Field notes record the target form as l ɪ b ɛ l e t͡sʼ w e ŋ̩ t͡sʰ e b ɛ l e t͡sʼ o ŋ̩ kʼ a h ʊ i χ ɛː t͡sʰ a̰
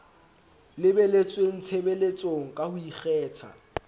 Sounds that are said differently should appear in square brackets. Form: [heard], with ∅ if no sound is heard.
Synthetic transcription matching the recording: l ɪ b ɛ l e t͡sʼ w e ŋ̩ t͡sʰ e b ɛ l e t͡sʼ o ŋ̩ kʼ a h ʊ i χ ɛː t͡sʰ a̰